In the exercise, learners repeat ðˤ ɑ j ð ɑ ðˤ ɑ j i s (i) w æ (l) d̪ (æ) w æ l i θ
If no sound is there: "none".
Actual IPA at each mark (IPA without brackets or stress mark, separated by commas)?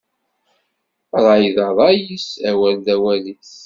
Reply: æ, l, æ